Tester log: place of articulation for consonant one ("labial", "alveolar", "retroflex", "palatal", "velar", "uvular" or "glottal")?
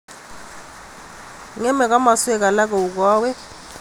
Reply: velar